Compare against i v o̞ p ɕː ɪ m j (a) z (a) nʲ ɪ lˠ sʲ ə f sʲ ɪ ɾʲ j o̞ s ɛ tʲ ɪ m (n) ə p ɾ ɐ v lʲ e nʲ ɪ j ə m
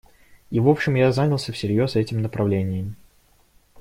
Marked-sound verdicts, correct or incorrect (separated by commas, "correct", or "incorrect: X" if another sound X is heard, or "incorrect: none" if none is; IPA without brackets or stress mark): correct, correct, correct